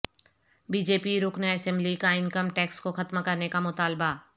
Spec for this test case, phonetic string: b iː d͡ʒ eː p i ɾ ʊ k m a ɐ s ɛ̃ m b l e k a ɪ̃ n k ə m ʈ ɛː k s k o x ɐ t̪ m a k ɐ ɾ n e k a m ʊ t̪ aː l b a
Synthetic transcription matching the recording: b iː d͡ʒ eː p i ɾ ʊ k n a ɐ s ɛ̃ m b l i k a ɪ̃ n k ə m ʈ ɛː k s k o x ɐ t̪ m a k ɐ ɾ n e k a m ʊ t̪ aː l b a